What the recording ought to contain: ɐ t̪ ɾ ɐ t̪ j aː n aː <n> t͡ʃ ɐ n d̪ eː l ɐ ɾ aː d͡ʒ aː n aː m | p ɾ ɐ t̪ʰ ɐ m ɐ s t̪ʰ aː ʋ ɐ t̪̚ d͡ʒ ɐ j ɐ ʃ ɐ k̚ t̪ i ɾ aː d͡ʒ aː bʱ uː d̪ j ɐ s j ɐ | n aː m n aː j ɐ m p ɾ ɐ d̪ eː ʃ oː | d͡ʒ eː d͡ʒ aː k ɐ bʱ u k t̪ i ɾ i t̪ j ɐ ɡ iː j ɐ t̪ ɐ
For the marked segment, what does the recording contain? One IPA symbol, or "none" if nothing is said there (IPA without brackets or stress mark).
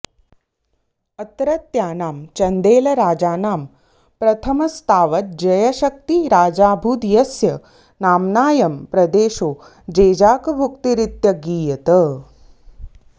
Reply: m